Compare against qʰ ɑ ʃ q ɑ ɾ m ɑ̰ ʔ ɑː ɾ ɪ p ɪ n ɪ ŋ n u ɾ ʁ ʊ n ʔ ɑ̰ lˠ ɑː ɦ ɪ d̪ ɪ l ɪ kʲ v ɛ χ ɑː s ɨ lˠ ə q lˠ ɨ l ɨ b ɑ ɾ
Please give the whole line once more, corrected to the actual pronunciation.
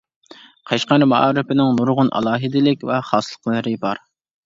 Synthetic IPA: qʰ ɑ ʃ q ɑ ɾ m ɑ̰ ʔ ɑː ɾ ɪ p ɪ n ɪ ŋ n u ɾ ʁ ʊ n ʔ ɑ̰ lˠ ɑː ɦ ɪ d̪ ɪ l ɪ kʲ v ɛ χ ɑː s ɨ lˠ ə q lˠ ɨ ɾ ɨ b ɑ ɾ